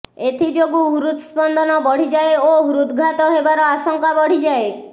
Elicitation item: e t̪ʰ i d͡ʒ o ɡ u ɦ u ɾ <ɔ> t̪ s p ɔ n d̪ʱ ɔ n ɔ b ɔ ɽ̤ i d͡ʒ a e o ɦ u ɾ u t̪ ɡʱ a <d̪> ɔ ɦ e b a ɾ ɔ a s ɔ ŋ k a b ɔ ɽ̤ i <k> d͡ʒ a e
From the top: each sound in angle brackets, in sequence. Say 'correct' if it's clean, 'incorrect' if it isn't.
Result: incorrect: u, incorrect: t̪, incorrect: none

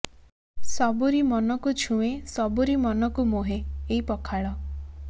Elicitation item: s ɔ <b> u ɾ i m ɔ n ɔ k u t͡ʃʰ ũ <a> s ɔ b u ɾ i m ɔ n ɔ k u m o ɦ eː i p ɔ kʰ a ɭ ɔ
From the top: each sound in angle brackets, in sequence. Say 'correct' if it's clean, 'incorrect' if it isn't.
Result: correct, incorrect: e

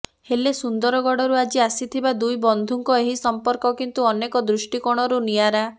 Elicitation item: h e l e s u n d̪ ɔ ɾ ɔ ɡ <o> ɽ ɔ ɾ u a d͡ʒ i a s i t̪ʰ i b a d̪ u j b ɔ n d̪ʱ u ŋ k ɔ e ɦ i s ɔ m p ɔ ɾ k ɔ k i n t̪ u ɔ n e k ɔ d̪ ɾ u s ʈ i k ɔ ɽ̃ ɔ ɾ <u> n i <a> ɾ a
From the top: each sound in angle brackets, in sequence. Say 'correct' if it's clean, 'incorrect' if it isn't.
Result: incorrect: ɔ, correct, correct

